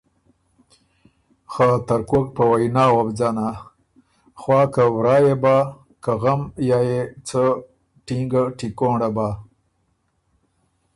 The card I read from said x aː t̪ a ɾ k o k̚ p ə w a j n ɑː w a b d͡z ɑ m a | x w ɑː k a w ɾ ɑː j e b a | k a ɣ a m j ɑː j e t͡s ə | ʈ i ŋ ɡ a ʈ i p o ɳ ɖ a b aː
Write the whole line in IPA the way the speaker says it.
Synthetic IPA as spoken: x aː t̪ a ɾ k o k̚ p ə w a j n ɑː w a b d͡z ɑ n a | x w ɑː k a w ɾ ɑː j e b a | k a ɣ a m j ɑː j e t͡s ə | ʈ i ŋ ɡ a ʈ i k o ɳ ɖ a b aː